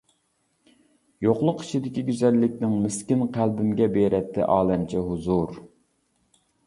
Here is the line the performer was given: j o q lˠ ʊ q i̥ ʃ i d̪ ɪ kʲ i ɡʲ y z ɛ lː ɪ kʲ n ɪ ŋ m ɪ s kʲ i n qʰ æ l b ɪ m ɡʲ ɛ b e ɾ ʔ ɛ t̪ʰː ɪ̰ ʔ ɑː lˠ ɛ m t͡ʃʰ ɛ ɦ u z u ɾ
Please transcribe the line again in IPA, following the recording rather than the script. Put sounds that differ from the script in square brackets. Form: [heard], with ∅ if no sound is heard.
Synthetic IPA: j o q lˠ ʊ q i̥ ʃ i d̪ ɪ kʲ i ɡʲ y z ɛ lː ɪ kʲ n ɪ ŋ m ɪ s kʲ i n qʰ æ l b ɪ m ɡʲ ɛ b e ɾ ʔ ɛ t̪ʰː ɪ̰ ʔ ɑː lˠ ɛ m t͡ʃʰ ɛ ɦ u z u ɾ